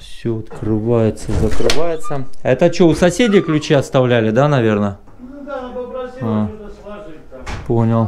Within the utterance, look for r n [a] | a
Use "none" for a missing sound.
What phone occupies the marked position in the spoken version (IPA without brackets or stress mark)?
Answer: ə